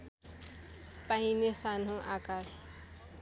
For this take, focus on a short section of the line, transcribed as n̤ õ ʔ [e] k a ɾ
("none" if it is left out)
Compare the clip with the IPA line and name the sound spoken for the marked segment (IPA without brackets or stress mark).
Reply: a